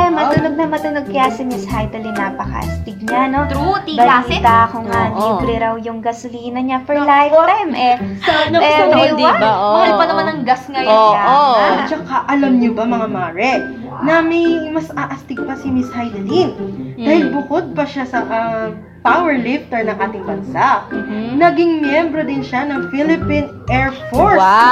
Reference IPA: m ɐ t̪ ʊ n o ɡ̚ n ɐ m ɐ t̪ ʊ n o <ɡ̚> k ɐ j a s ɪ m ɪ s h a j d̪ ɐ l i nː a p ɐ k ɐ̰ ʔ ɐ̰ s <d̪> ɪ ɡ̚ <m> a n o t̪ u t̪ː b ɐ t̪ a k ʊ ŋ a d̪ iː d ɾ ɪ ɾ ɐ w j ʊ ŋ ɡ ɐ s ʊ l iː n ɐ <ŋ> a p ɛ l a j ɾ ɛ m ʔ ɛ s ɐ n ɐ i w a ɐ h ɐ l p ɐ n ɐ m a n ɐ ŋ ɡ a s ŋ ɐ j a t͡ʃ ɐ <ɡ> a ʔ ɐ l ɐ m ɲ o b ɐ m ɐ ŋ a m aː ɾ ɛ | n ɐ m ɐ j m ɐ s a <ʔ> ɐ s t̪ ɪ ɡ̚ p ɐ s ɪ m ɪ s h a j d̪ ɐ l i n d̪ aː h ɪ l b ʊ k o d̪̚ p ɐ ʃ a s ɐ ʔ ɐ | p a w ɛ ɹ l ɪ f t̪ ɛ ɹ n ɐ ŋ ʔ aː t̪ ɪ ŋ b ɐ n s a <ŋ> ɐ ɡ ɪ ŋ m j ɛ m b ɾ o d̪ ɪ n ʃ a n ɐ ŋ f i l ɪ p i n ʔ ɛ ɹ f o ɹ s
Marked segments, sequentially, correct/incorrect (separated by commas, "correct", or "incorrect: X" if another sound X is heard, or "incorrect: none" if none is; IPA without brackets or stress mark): correct, incorrect: t̪, incorrect: ɲ, incorrect: ɲ, incorrect: k, correct, incorrect: n